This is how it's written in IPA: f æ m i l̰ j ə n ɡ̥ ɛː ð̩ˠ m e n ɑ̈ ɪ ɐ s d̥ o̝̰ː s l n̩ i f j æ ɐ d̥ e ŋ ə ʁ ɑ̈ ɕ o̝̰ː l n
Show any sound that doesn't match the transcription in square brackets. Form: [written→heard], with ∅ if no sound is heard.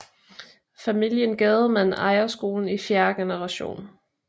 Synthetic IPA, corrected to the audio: f æ m i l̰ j ə n ɡ̥ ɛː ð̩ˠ m [e→æ] n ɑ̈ ɪ ɐ s [d̥→ɡ̥] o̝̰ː [s→∅] l n̩ i f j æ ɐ [d̥→ɡ̥] e [ŋ→n] ə ʁ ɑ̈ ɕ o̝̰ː [l→∅] n

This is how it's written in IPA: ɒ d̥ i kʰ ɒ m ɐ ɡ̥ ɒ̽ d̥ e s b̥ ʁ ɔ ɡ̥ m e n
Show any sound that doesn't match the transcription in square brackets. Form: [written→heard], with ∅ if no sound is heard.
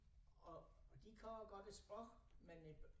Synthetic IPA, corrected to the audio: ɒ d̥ i kʰ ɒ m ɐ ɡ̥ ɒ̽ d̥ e s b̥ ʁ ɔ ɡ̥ m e n

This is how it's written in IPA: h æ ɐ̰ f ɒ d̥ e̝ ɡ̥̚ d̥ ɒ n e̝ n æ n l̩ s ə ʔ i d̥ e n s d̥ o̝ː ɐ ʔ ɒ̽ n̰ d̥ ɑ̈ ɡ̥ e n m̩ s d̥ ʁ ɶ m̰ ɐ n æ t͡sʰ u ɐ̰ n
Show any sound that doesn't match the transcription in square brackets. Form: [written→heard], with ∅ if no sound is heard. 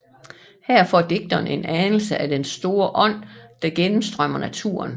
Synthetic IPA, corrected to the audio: h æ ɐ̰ f ɒ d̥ e̝ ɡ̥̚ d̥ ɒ n e̝ n æ n l̩ s ə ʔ [i→æ] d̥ e n s d̥ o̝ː ɐ ʔ ɒ̽ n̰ d̥ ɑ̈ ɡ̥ e n m̩ s d̥ ʁ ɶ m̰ ɐ n æ t͡sʰ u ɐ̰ n

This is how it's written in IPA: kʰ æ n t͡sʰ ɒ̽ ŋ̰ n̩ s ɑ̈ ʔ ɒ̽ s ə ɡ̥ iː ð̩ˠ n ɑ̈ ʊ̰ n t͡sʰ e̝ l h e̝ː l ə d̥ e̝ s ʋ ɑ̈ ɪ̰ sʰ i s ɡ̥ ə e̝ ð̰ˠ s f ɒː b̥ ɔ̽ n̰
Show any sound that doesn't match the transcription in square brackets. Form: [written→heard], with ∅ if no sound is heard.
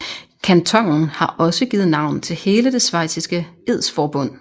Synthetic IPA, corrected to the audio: kʰ æ n t͡sʰ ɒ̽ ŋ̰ n̩ [s→h] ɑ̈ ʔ ɒ̽ s ə ɡ̥ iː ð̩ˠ n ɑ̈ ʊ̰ n t͡sʰ e̝ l h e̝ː l ə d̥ e̝ s ʋ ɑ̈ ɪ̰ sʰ i s ɡ̥ ə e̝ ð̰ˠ s f ɒː b̥ ɔ̽ n̰

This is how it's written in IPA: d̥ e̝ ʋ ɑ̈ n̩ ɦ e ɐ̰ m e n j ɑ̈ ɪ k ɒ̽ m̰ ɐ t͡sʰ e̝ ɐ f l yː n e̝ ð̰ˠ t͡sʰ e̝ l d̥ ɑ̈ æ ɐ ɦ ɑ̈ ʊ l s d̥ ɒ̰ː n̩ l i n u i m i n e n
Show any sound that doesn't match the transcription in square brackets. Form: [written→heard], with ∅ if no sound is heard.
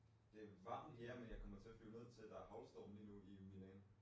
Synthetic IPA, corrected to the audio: d̥ e̝ ʋ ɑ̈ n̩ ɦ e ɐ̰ m e n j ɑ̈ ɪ k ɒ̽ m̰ ɐ t͡sʰ e̝ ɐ f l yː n e̝ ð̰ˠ t͡sʰ e̝ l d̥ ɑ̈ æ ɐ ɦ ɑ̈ ʊ l s d̥ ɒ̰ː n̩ l i n u i m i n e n

